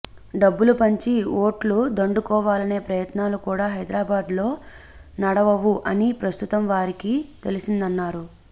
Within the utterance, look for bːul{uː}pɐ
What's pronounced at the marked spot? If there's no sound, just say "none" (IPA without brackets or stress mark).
u